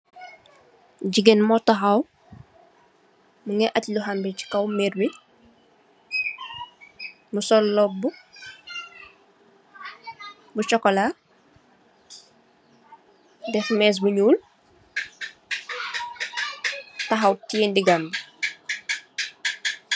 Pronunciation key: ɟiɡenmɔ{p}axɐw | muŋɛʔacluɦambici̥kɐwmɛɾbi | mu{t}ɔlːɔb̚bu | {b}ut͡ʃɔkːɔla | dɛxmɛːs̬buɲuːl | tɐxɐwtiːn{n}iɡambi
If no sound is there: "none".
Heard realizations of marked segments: t, s, b, d

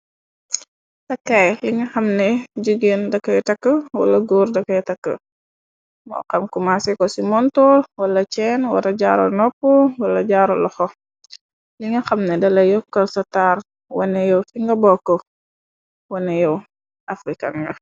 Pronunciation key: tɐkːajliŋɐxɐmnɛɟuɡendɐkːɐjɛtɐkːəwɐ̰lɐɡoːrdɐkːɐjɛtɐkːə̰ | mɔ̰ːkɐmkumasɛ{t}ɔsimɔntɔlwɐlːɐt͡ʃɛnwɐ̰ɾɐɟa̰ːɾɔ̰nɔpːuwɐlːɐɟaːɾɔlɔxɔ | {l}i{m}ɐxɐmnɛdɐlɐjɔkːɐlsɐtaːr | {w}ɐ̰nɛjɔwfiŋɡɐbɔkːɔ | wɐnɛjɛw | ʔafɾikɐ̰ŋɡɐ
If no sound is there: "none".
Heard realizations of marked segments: k, l, ŋ, w

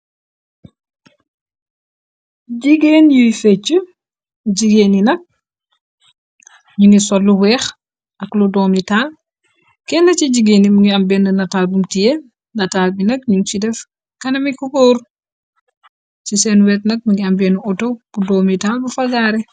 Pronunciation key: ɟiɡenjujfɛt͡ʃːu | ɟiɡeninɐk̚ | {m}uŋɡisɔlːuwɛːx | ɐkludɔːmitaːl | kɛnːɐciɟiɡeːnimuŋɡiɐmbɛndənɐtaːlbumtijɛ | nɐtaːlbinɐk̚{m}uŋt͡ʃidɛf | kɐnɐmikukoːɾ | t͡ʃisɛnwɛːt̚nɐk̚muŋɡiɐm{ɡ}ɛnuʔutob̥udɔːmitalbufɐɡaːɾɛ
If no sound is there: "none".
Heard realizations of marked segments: ɲ, ɲ, b

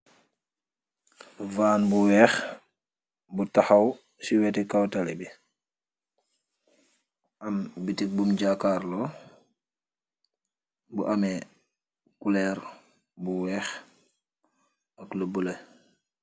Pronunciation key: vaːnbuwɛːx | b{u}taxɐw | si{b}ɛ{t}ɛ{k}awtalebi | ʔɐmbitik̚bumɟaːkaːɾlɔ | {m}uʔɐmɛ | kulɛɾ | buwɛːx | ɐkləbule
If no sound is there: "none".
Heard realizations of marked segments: u, w, t, k, b

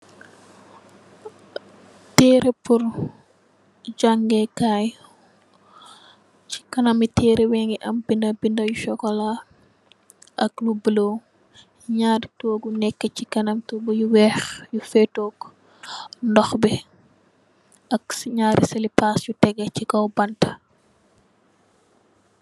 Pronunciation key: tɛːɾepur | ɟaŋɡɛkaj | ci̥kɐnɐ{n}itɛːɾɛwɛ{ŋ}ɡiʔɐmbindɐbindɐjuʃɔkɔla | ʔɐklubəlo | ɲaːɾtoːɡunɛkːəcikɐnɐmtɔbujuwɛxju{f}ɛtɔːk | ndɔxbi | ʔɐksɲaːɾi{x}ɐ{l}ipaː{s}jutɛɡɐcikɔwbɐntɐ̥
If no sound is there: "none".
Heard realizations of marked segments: m, ŋ, f, s, l, s

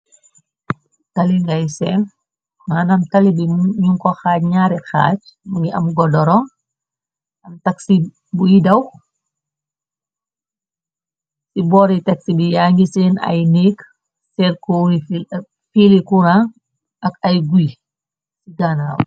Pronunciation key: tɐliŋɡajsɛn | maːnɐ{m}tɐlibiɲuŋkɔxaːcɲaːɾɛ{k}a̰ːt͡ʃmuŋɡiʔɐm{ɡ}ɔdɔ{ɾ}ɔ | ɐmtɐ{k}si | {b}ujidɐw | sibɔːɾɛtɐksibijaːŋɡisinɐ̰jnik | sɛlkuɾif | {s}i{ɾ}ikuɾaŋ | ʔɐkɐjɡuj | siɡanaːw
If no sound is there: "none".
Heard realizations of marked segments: m, x, ɡ, ɾ, k, b, f, l

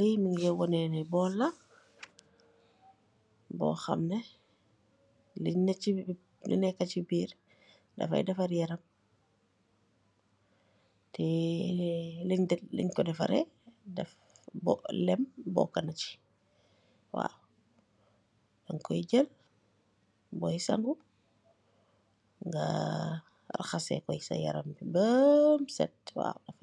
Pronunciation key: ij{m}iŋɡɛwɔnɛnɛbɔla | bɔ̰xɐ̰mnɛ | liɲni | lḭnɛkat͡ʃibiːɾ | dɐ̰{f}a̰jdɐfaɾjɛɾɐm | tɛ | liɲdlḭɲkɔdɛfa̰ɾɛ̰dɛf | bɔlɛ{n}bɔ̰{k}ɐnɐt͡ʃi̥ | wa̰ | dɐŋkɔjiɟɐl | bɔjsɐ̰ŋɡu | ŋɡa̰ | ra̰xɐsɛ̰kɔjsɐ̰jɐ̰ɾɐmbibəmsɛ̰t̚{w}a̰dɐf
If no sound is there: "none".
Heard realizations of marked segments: m, f, m, k, w

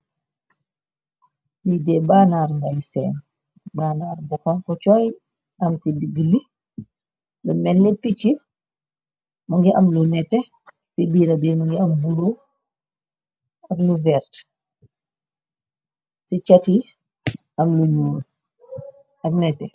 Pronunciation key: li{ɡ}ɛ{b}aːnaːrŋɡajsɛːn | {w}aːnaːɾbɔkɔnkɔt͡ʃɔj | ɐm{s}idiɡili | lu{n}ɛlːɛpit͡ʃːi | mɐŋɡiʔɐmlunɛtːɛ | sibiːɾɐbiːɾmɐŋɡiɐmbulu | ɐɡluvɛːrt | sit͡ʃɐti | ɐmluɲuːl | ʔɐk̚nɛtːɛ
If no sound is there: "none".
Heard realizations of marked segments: d, b, b, s, m

